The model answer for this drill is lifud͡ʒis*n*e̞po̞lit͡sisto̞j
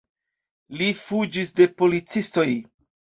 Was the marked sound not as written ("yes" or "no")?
yes